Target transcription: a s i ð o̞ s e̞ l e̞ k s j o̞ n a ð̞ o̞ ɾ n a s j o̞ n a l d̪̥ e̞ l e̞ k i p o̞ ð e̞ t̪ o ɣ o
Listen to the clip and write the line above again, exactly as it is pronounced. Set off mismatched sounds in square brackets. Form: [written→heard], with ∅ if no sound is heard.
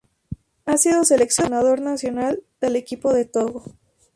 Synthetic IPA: a s i ð o̞ s e̞ l e̞ k s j o̞ n a ð̞ o̞ ɾ n a s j o̞ n a l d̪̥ e̞ l e̞ k i p o̞ ð e̞ t̪ o ɣ o